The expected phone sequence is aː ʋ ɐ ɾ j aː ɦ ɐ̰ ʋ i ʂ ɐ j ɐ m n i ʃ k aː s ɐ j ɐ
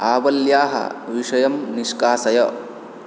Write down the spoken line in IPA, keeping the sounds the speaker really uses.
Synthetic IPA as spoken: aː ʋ ɐ l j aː ɦ ɐ̰ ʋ i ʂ ɐ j ɐ m n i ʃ k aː s ɐ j ɐ